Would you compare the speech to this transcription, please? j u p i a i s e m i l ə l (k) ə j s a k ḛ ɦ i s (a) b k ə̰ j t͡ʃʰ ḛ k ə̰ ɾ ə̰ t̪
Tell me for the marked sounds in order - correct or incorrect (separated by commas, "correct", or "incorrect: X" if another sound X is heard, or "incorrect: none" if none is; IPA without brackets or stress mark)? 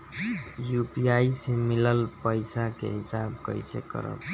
incorrect: p, correct